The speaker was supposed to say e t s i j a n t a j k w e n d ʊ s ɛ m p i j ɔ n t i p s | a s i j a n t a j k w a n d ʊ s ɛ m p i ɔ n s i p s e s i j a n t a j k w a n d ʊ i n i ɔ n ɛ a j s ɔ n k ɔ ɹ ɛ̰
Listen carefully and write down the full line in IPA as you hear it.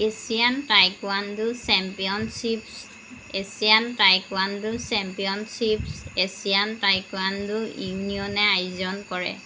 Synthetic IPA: e s i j a n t a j k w a n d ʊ s ɛ m p i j ɔ n s i p s | e s i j a n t a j k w a n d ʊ s ɛ m p i ɔ n s i p s e s i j a n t a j k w a n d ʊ i n i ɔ n ɛ a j z ɔ n k ɔ ɹ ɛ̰